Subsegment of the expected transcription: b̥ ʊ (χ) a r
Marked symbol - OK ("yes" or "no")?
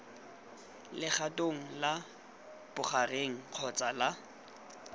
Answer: yes